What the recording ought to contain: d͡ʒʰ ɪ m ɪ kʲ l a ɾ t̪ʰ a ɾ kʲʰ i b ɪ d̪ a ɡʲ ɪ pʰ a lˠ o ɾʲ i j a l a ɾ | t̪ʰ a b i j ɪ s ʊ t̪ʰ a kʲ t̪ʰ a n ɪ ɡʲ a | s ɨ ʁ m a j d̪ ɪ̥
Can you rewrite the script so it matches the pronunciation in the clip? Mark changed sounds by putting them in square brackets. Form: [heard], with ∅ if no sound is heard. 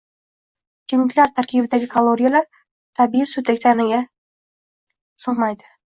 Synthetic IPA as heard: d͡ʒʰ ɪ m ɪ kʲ l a ɾ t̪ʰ a ɾ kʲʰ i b ɪ d̪ a ɡʲ ɪ [kʰ] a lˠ o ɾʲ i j a l a ɾ | t̪ʰ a b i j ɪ s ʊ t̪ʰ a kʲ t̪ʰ a n ɪ ɡʲ a | s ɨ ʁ m a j d̪ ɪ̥